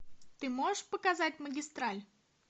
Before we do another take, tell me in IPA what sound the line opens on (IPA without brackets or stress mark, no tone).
t̪